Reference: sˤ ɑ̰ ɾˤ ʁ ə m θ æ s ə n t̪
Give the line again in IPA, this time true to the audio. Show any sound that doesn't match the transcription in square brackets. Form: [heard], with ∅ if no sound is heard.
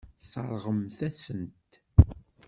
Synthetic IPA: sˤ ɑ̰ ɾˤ ʁ ə m θ æ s ə n t̪